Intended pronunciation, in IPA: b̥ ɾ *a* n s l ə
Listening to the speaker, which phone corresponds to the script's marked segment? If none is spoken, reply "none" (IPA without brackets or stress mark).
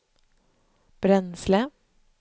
ɛ